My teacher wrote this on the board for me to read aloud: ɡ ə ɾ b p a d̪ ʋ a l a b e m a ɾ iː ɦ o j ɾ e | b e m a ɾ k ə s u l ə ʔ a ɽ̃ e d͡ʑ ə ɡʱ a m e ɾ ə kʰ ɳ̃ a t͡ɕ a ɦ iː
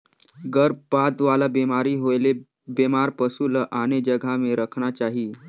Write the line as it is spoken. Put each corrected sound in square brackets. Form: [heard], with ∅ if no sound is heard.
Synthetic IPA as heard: ɡ ə ɾ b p a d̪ ʋ a l a b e m a ɾ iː ɦ o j [l] e | b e m a ɾ [p] ə s u l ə ʔ a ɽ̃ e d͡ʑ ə ɡʱ a m e ɾ ə kʰ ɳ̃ a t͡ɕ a ɦ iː

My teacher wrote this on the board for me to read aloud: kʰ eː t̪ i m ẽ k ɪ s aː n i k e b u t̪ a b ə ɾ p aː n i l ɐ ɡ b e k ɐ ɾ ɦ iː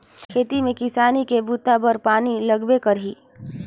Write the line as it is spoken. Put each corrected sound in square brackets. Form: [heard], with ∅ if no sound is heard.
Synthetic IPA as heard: kʰ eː t̪ i m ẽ k ɪ s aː n i k e b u t̪ a b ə ɾ p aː n i l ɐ ɡ b e k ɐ ɾ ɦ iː

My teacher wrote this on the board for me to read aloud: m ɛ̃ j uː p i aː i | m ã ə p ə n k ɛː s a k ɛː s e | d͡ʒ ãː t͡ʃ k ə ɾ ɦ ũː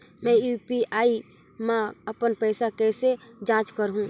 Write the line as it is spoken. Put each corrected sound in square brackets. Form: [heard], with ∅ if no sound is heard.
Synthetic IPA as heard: m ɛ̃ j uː p i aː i | m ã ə p ə n [p] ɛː s a k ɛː s e | d͡ʒ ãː t͡ʃ k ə ɾ ɦ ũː

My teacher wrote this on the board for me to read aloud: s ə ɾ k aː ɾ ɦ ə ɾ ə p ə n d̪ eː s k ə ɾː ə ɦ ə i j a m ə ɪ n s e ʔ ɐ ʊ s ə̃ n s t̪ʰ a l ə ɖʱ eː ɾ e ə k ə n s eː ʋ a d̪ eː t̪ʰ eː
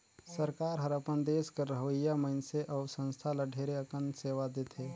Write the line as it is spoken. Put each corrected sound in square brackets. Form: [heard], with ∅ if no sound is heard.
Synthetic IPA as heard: s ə ɾ k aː ɾ ɦ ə ɾ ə p ə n d̪ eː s k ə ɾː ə ɦ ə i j a m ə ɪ n s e ʔ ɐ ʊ s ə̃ n s t̪ʰ a l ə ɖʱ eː ɾ e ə k ə n s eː ʋ a d̪ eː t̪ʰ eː

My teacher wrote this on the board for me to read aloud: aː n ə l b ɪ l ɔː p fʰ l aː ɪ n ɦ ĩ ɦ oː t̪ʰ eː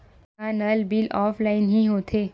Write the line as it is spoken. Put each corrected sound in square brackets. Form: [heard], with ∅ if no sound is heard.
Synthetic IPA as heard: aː n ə l b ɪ l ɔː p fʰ l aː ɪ n ɦ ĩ ɦ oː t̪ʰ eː

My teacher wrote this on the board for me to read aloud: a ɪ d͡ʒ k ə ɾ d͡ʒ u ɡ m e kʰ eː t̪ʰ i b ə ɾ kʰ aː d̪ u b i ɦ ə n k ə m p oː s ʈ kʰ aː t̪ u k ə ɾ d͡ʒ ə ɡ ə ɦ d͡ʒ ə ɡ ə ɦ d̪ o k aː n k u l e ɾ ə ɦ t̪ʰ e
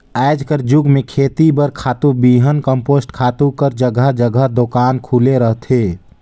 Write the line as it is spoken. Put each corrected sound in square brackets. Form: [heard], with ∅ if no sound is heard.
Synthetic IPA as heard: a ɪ d͡ʒ k ə ɾ d͡ʒ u ɡ m e kʰ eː [t̪] i b ə ɾ kʰ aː [t̪] u b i ɦ ə n k ə m p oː s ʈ kʰ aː t̪ u k ə ɾ d͡ʒ ə ɡ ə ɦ d͡ʒ ə ɡ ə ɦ d̪ o k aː n [kʰ] u l e ɾ ə ɦ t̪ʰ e

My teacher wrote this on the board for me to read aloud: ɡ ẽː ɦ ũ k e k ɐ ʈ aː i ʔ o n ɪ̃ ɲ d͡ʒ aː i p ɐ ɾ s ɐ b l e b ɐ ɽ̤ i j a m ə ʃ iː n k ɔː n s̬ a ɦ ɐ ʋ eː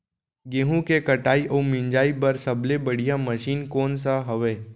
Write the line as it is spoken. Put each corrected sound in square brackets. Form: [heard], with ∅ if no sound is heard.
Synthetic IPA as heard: ɡ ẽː ɦ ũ k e k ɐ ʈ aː i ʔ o [m] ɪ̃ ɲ d͡ʒ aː i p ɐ ɾ s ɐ b l e b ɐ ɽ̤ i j a m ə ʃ iː n k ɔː n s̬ a ɦ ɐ ʋ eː

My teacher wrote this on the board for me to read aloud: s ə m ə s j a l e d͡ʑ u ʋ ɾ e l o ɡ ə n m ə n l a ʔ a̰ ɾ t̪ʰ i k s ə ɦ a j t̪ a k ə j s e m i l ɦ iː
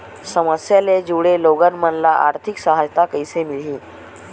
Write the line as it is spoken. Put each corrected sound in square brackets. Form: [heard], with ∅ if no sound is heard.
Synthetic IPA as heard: s ə m ə s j a l e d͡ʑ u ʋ [ɽ] e l o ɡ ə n m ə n l a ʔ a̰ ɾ t̪ʰ i k s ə ɦ a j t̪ a k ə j s e m i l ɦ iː

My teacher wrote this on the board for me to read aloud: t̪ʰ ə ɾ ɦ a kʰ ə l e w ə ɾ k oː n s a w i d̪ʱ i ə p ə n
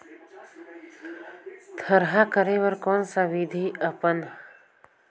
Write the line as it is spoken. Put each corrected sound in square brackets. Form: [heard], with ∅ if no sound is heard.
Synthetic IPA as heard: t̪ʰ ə ɾ ɦ a [k] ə [ɾ] e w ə ɾ k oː n s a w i d̪ʱ i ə p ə n

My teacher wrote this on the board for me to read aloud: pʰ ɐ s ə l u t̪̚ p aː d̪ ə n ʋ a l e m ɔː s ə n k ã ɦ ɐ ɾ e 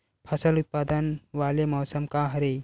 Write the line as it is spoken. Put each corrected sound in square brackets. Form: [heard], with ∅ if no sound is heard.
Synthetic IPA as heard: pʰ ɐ s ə l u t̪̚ p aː d̪ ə n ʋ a l e m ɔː s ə [m] k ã ɦ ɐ ɾ e

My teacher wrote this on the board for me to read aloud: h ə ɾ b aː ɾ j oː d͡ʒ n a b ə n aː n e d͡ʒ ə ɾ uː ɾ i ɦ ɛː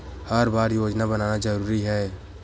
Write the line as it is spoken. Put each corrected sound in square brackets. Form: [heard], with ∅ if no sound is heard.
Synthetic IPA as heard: h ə ɾ b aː ɾ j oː d͡ʒ n a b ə n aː n [a] d͡ʒ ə ɾ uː ɾ i ɦ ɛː

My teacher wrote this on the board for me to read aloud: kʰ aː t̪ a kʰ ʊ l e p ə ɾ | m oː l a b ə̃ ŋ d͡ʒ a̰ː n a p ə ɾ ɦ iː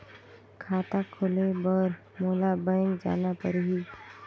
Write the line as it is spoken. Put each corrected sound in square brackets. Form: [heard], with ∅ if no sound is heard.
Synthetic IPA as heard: kʰ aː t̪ a kʰ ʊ l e [b] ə ɾ | m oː l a b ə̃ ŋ d͡ʒ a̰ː n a p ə ɾ ɦ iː

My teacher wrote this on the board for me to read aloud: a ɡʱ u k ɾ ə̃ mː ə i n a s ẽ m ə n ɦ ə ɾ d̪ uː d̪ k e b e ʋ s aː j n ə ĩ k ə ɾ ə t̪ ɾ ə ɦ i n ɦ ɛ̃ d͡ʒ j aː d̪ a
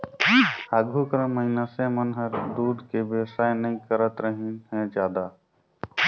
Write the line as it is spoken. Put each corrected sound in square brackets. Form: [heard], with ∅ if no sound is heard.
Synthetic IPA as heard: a ɡʱ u k ɾ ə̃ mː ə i n a s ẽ m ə n ɦ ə ɾ d̪ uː d̪ k e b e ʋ s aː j n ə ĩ k ə ɾ ə t̪ ɾ ə ɦ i n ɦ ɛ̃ d͡ʒ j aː d̪ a

